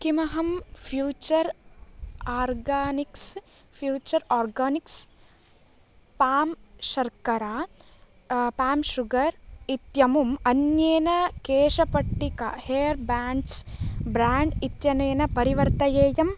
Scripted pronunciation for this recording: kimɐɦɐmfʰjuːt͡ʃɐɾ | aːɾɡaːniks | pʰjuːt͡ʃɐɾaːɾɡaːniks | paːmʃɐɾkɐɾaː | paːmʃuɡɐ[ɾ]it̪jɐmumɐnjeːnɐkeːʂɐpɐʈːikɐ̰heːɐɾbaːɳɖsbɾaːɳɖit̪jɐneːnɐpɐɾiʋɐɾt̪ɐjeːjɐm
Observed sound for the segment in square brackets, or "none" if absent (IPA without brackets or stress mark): ɾ